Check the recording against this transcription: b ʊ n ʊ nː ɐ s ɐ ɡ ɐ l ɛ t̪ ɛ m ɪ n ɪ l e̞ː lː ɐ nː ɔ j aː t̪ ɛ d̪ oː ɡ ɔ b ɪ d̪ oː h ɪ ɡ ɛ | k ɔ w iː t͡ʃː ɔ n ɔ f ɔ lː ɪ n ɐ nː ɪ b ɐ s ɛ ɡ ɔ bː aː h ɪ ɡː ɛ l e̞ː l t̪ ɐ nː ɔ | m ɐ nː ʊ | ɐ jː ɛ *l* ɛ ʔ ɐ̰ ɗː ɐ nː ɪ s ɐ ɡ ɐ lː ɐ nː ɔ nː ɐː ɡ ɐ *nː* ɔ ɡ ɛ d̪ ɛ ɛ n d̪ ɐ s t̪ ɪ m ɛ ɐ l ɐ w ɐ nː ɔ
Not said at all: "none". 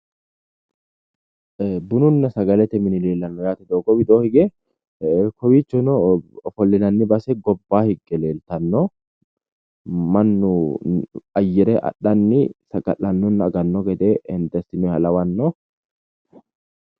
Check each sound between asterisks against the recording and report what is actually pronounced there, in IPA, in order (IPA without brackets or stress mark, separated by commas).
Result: ɾ, nː